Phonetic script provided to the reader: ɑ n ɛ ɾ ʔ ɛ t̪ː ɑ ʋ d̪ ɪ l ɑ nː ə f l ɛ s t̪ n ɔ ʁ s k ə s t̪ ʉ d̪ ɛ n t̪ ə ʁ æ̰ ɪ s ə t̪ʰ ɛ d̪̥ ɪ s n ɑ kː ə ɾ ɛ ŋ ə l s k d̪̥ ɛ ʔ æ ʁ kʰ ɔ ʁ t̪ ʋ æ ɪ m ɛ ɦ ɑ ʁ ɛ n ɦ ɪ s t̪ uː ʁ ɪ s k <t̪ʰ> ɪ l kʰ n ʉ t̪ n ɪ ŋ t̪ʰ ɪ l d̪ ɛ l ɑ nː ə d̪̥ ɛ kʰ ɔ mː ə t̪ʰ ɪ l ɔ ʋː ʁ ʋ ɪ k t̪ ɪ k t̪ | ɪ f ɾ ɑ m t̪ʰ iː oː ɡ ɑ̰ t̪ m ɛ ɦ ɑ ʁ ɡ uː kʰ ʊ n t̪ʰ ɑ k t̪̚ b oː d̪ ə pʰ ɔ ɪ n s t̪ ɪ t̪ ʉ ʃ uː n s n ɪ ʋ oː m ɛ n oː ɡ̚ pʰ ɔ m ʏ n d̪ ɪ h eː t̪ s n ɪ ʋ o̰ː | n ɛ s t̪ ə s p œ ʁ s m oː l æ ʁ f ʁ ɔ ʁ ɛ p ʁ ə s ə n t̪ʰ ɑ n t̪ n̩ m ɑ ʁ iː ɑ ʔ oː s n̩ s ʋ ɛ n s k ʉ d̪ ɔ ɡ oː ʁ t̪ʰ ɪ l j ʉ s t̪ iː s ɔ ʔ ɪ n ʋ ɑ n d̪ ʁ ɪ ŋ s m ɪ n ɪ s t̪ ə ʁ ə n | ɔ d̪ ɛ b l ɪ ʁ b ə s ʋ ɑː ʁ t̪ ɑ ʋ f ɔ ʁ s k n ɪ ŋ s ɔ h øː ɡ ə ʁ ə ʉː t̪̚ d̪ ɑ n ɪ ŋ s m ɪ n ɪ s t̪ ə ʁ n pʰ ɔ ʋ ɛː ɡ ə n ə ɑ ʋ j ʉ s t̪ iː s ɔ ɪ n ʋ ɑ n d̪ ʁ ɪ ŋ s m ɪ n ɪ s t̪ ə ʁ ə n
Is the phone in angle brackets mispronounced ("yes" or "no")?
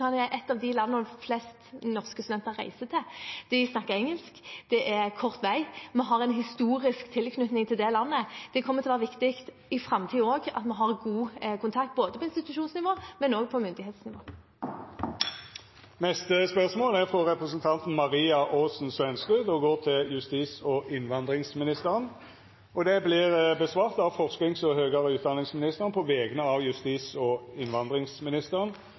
no